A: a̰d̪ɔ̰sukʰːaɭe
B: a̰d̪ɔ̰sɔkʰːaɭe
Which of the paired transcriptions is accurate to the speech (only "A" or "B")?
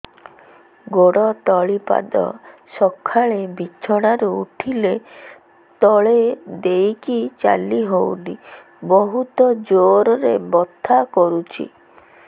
B